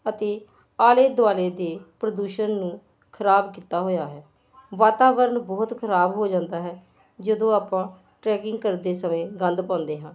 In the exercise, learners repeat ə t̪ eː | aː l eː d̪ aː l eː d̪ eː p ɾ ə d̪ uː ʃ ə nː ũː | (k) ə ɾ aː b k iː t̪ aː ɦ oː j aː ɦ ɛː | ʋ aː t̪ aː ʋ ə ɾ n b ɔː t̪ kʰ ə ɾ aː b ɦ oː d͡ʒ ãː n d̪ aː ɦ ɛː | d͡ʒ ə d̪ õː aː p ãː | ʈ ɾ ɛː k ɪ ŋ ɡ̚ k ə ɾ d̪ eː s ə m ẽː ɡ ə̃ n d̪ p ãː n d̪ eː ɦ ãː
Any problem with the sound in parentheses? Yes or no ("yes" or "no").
yes